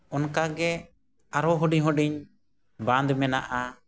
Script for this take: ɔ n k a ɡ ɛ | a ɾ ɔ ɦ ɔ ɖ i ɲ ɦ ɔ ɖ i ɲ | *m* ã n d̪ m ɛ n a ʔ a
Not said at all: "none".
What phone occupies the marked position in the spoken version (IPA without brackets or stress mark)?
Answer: b